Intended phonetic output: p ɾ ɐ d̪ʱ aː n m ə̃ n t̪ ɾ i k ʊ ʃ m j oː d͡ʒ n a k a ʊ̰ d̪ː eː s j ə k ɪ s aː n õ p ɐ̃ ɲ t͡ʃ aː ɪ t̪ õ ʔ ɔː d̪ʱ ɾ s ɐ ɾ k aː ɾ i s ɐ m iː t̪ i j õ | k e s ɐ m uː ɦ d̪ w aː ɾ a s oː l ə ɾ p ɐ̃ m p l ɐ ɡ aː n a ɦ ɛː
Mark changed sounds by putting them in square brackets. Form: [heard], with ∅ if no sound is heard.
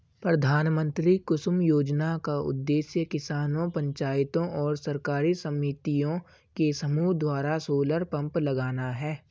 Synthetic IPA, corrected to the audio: p ɾ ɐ d̪ʱ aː n m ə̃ n t̪ ɾ i k ʊ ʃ m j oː d͡ʒ n a k a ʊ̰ d̪ː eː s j ə k ɪ s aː n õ p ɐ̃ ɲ t͡ʃ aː ɪ t̪ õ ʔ ɔː [∅] ɾ s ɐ ɾ k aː ɾ i s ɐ m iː t̪ i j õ | k e s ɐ m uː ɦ d̪ w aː ɾ a s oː l ə ɾ p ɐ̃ m p l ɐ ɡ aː n a ɦ ɛː